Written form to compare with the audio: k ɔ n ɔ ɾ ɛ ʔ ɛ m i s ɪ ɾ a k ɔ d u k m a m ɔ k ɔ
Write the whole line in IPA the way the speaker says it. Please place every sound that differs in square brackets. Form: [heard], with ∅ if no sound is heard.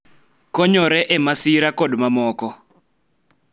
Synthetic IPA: k ɔ [ɲ] ɔ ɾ ɛ ʔ ɛ m [a] s [i] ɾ a k ɔ d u [∅] m a m [ɔː] k ɔ

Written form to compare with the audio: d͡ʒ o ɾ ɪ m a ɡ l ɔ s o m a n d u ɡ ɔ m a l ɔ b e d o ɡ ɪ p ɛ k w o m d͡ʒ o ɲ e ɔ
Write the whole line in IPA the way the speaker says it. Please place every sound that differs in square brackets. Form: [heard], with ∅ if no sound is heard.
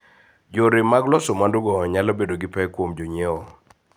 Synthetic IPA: d͡ʒ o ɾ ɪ m a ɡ l ɔ s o m a n d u ɡ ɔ [ɲ] a l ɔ b e d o ɡ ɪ p ɛ k w o m d͡ʒ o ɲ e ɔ

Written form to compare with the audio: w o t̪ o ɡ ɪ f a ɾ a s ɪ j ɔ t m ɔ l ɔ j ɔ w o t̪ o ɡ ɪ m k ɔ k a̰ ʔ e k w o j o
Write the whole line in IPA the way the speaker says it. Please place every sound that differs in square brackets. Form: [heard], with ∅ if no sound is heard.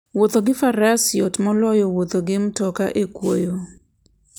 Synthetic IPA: w o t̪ o ɡ ɪ f a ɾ a s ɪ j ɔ t m ɔ l ɔ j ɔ w o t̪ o ɡ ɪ m [t] ɔ k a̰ ʔ e k w o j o

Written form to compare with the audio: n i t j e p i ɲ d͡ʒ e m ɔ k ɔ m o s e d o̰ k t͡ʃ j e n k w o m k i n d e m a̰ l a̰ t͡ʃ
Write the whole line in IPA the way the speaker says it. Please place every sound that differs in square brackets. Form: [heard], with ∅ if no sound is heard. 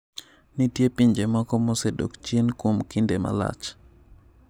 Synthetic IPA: n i t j e p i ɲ d͡ʒ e m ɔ k ɔ m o s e d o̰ k t͡ʃ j e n k w o m k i n d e m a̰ l a̰ t͡ʃ

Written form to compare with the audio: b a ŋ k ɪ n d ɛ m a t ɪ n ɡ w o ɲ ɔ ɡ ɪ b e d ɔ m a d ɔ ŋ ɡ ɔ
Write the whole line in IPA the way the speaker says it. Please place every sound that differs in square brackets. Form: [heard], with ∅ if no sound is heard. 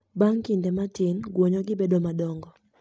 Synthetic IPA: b a ŋ k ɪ n d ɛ m a t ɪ n ɡ w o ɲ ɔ ɡ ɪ b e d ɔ m a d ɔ ŋ ɡ ɔ

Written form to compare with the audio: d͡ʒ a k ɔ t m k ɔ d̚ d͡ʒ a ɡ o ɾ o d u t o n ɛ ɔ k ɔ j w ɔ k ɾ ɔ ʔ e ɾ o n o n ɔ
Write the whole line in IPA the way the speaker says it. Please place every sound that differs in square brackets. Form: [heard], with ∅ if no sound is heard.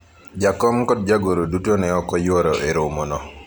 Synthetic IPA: d͡ʒ a k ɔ [∅] m k ɔ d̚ d͡ʒ a ɡ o ɾ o d u t o n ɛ ɔ k ɔ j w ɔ [∅] ɾ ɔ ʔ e ɾ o [m] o n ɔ

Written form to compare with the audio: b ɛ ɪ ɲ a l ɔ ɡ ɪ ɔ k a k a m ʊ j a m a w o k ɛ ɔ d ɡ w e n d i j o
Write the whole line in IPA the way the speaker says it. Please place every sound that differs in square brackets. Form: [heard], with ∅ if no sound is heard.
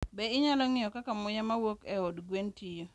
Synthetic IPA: b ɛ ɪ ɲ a l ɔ [ŋ] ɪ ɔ k a k a m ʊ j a m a w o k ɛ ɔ d ɡ w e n [t] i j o

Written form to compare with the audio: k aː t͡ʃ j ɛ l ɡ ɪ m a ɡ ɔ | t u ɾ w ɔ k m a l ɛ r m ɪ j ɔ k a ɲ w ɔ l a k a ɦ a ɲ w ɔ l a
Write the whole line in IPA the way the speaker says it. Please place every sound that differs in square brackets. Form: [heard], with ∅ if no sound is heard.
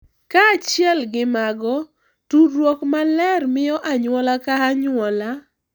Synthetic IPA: k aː t͡ʃ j ɛ l ɡ ɪ m a ɡ ɔ | t u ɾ w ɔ k m a l ɛ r m ɪ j ɔ [ʔ] a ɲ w ɔ l a k a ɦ a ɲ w ɔ l a

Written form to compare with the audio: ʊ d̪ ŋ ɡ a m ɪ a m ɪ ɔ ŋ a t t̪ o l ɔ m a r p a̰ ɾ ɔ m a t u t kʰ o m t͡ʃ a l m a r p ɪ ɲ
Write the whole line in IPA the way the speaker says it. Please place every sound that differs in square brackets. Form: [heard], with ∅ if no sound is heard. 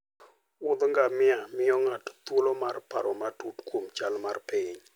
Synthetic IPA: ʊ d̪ ŋ ɡ a m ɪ a m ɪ ɔ ŋ a t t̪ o l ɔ m a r p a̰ ɾ ɔ m a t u t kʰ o m t͡ʃ a l m a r p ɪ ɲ

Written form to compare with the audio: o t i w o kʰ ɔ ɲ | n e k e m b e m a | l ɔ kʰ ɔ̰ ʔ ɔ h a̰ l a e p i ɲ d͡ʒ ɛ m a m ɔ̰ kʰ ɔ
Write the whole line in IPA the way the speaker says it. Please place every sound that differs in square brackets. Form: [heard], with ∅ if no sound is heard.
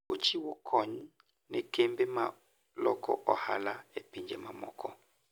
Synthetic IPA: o [t͡ʃ] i w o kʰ ɔ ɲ | n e k e m b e m a | l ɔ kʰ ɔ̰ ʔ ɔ h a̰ l a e p i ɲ d͡ʒ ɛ m a m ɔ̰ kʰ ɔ

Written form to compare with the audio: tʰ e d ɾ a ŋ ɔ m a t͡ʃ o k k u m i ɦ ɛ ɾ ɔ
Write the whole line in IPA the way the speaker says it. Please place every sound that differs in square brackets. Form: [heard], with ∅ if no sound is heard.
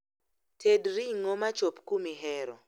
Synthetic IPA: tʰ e d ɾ [i] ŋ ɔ m a t͡ʃ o [p] k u m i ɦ ɛ ɾ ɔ

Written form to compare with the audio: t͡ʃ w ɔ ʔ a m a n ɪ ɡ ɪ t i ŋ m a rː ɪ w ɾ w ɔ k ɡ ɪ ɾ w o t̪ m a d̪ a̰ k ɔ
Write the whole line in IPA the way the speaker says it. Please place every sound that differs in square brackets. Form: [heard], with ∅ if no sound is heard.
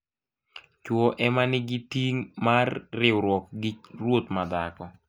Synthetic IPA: t͡ʃ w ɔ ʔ [ɛ] m a n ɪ ɡ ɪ t i ŋ m a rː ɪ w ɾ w ɔ k ɡ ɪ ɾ w o t̪ m a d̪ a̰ k ɔ

